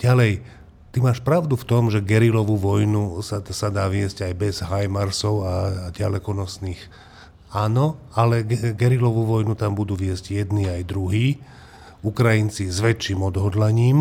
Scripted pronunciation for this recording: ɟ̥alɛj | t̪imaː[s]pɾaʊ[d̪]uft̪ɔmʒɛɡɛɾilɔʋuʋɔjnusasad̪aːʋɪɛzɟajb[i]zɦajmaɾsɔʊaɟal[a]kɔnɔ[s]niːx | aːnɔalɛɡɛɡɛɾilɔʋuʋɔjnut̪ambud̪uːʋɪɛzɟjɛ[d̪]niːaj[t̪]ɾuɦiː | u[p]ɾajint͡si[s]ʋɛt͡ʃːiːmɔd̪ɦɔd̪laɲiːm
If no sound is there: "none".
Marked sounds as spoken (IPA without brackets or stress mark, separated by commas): ʃ, d̪, ɛ, ɛ, s, d̪, d̪, k, z